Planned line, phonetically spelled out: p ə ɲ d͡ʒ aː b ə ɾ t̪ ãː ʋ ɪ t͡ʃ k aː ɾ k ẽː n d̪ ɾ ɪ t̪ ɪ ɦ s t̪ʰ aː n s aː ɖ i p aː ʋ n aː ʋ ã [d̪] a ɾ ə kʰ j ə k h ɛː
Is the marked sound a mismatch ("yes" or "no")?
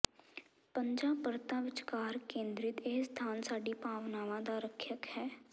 no